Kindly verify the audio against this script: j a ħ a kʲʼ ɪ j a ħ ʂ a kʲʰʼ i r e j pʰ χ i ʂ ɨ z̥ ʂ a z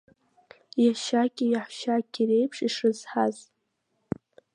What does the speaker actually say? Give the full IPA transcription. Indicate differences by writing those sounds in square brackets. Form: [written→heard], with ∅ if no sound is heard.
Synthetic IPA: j a [ħ→ʃ] a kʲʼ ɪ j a ħ [ʂ→ʃ] a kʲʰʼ i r e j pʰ [χ→ʂ] i ʂ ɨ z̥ [ʂ→ħ] a z